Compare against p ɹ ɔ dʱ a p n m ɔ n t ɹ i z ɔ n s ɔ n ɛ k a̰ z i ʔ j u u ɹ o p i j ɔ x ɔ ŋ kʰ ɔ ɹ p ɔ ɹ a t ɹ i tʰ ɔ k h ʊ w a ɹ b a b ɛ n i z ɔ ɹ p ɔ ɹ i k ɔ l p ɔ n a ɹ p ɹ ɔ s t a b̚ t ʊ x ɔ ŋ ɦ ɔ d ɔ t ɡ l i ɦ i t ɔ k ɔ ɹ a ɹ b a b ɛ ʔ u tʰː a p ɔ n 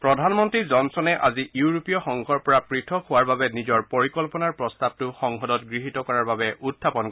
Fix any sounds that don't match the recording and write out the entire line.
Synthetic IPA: p ɹ ɔ dʱ a n m ɔ n t ɹ i z ɔ n s ɔ n ɛ ʔ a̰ z i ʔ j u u ɹ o p i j ɔ x ɔ ŋ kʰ ɔ ɹ p ɔ ɹ a p ɹ i tʰ ɔ k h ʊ w a ɹ b a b ɛ n i z ɔ ɹ p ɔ ɹ i k ɔ l p ɔ n a ɹ p ɹ ɔ s t a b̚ t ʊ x ɔ ŋ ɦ ɔ d ɔ t ɡ ɹ i ɦ i t ɔ k ɔ ɹ a ɹ b a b ɛ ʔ u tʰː a p ɔ n